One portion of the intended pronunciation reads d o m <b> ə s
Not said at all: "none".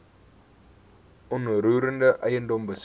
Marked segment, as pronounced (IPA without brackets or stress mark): b